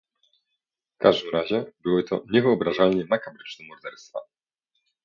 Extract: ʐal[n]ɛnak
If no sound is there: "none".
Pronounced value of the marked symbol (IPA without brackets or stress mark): ɲ